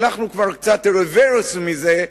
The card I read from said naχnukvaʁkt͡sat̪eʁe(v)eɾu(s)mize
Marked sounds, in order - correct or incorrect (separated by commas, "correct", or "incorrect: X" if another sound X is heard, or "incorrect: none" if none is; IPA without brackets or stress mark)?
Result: correct, correct